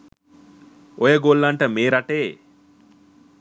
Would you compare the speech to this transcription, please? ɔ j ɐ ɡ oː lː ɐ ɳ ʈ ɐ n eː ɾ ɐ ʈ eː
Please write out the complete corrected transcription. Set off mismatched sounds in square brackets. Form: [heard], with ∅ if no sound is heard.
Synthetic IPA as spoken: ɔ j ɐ ɡ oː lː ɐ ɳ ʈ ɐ [m] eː ɾ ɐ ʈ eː